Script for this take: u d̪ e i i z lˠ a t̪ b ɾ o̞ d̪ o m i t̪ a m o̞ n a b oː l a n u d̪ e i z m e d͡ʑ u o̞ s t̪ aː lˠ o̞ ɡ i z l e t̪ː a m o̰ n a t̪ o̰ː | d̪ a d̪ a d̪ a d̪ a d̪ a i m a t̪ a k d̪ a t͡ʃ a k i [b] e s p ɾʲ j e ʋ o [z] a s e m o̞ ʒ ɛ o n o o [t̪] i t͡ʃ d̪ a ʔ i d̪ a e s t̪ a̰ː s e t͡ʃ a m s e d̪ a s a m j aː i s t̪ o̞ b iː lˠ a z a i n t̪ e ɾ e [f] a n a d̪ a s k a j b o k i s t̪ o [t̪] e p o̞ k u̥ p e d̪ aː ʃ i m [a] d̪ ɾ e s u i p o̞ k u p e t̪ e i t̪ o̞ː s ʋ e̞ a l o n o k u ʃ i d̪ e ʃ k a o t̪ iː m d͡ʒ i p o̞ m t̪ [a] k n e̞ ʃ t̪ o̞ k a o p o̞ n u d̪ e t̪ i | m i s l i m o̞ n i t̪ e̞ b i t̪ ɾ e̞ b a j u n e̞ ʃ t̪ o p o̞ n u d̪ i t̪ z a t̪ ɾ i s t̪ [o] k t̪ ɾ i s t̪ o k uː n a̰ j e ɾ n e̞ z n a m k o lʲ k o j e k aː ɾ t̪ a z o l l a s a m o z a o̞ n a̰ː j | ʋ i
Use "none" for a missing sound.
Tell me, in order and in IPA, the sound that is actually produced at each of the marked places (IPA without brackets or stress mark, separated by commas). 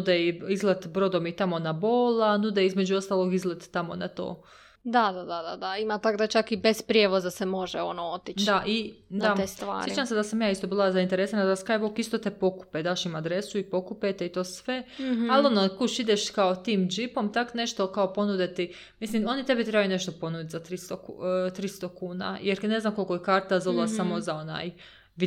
b, z, t̪, s, t̪, a, a, o